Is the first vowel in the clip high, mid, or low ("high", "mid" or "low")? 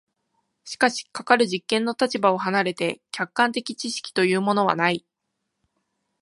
high